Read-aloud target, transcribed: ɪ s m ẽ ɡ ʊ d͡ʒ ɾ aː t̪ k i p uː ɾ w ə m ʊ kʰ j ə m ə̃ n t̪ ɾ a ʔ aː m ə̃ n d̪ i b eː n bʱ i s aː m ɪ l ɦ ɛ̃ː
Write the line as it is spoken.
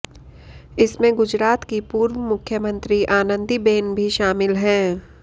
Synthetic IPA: ɪ s m ẽ ɡ ʊ d͡ʒ ɾ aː t̪ k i p uː ɾ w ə m ʊ kʰ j ə m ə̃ n t̪ ɾ i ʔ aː n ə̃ n d̪ i b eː n bʱ i ʃ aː m ɪ l ɦ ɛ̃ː